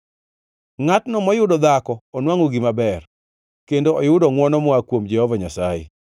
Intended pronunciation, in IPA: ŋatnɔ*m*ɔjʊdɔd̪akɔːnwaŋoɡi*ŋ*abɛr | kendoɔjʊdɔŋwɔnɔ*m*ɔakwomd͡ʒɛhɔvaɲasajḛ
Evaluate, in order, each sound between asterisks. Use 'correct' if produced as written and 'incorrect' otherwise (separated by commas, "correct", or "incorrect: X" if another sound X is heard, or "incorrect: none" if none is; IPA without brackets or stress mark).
correct, incorrect: m, correct